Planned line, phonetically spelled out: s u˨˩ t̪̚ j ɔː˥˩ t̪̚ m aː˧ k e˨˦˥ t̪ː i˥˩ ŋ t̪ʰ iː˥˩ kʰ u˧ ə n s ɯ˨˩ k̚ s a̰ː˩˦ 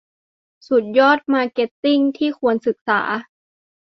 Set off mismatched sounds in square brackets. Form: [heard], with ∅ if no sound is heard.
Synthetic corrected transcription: s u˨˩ t̪̚ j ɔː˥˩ t̪̚ m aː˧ k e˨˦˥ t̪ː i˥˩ ŋ t̪ʰ iː˥˩ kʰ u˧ ə n s ɯ˨˩ k̚ s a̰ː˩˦